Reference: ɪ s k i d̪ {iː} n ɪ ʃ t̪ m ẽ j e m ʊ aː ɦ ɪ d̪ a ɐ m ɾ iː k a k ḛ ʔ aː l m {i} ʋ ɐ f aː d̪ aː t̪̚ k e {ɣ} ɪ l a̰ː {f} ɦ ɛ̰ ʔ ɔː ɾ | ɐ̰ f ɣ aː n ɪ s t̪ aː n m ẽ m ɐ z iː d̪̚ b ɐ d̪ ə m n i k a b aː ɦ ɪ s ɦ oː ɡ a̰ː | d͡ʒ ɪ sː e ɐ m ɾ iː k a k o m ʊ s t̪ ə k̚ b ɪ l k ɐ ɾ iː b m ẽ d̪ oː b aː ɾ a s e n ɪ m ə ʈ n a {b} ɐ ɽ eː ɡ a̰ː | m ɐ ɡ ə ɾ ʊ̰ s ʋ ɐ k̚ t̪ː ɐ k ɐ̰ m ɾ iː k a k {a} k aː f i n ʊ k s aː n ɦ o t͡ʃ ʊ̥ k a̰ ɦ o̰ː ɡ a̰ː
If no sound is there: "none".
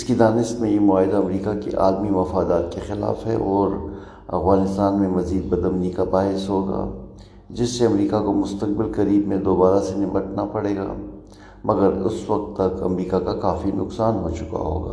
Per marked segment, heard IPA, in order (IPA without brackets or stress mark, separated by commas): aː, i, x, f, p, a